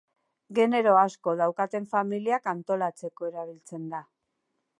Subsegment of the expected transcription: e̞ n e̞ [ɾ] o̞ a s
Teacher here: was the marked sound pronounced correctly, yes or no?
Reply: yes